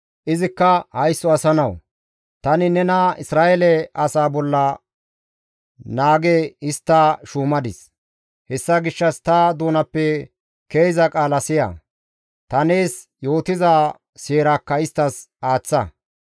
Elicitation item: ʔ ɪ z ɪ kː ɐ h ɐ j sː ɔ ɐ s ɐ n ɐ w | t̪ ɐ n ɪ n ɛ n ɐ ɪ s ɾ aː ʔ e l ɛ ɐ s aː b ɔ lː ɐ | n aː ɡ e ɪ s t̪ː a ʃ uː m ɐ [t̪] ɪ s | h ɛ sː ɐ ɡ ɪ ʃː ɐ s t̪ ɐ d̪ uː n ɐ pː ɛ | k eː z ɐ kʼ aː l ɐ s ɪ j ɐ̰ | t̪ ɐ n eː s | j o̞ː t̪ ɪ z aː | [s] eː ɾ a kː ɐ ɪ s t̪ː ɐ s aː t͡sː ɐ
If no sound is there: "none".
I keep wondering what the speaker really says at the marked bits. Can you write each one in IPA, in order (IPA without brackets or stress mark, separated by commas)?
d̪, s